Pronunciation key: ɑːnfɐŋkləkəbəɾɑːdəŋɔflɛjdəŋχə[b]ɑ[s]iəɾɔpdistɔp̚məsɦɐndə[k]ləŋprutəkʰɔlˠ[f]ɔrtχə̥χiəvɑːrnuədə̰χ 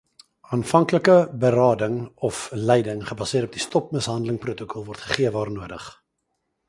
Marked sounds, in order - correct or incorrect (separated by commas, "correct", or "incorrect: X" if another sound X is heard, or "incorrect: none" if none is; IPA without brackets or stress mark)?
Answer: correct, correct, incorrect: none, incorrect: v